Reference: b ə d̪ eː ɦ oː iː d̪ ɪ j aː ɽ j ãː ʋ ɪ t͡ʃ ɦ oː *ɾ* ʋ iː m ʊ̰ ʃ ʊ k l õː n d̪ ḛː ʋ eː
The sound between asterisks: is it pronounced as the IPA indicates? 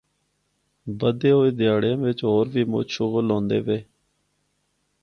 yes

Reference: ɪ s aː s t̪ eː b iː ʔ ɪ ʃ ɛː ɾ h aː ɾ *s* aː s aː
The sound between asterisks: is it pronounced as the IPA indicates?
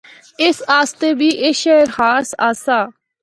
yes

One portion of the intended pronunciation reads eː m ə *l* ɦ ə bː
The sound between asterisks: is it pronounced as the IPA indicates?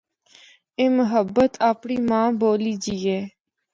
no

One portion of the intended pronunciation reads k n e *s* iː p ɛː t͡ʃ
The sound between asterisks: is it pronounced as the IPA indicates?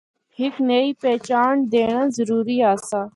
no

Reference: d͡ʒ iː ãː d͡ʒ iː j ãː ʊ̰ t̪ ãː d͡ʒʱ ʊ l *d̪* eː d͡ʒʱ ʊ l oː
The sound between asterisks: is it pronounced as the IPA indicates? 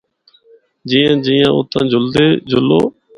yes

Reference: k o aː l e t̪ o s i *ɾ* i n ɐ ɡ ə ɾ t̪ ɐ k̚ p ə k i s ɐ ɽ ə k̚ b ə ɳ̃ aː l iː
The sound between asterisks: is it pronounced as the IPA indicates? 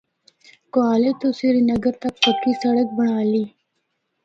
yes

